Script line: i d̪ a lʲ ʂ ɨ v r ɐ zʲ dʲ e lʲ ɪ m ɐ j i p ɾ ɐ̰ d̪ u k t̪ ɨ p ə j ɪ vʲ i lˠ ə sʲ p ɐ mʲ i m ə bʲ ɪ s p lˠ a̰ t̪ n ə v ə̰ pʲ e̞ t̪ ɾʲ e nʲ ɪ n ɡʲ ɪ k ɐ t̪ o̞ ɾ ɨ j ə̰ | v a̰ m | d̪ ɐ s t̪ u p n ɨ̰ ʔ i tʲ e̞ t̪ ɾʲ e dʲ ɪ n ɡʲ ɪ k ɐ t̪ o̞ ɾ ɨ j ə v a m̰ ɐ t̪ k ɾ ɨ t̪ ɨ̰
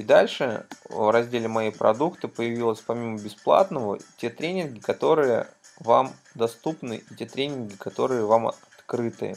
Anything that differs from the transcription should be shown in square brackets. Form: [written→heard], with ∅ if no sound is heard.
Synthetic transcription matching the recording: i d̪ a lʲ ʂ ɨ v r ɐ zʲ dʲ e lʲ ɪ m ɐ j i p ɾ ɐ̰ d̪ u k t̪ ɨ p ə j ɪ vʲ i lˠ ə sʲ p ɐ mʲ i m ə bʲ ɪ s p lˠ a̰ t̪ n ə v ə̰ [pʲ→tʲ] e̞ t̪ ɾʲ e nʲ ɪ n ɡʲ ɪ k ɐ t̪ o̞ ɾ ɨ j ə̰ | v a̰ m | d̪ ɐ s t̪ u p n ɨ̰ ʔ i tʲ e̞ t̪ ɾʲ e [dʲ→nʲ] ɪ n ɡʲ ɪ k ɐ t̪ o̞ ɾ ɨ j ə v a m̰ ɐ t̪ k ɾ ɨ t̪ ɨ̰